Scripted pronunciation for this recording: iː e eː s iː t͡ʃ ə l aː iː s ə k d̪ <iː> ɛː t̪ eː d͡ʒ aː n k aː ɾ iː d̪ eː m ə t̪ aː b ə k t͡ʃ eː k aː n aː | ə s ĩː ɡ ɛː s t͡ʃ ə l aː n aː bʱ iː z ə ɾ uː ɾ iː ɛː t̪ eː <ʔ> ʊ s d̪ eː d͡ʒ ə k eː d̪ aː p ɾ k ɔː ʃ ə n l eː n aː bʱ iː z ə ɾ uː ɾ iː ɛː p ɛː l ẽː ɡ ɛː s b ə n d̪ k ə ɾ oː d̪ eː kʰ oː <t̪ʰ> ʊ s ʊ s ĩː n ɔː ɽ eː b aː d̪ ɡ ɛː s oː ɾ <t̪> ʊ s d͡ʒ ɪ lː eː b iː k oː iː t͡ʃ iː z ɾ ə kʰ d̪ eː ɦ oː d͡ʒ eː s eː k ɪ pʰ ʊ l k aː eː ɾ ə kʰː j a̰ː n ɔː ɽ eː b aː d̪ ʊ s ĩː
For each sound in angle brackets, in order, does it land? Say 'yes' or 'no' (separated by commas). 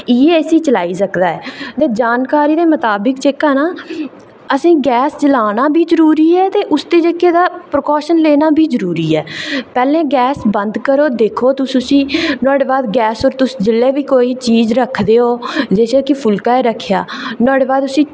no, yes, no, yes